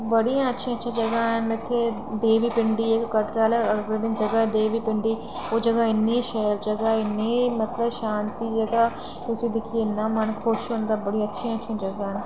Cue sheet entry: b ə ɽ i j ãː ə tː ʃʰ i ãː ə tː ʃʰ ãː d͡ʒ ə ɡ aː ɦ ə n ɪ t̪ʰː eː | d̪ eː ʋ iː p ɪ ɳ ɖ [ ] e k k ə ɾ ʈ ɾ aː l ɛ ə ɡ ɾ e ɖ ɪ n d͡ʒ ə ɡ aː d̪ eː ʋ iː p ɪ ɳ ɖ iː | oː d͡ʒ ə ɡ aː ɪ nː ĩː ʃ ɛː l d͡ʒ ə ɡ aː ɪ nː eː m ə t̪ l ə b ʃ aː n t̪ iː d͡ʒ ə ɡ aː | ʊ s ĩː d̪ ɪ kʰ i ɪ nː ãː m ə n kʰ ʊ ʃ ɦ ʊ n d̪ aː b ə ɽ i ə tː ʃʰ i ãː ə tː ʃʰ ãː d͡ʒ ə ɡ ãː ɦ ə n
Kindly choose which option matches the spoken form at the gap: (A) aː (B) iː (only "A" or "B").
B